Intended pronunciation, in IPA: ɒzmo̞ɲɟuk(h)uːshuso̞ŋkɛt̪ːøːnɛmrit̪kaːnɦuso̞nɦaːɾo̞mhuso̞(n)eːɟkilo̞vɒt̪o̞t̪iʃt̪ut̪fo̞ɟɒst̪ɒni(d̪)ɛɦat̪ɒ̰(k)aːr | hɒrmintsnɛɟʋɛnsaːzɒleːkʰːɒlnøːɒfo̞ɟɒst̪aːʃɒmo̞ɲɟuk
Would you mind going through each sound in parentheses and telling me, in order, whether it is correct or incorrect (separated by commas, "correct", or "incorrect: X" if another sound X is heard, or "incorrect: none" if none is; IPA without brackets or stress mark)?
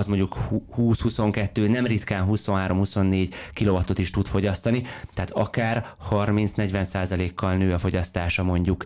correct, incorrect: nː, incorrect: t̪, correct